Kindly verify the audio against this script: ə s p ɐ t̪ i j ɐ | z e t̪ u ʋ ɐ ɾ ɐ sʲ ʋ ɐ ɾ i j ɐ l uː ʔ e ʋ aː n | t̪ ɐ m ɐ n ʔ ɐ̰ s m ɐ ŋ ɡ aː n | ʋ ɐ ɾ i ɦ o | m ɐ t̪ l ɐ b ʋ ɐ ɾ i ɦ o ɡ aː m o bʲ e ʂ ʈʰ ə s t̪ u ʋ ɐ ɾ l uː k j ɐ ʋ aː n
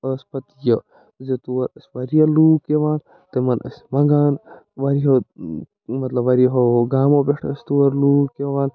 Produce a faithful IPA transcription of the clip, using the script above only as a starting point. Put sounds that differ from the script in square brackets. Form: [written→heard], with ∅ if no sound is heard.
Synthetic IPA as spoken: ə s p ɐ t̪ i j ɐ | z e t̪ u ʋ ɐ ɾ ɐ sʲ ʋ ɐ ɾ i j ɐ l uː [ʔ→k] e ʋ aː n | t̪ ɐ m ɐ n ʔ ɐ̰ s m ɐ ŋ ɡ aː n | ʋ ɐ ɾ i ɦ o | m ɐ t̪ l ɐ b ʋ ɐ ɾ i ɦ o ɡ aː m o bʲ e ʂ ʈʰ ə s t̪ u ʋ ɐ ɾ l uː k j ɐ ʋ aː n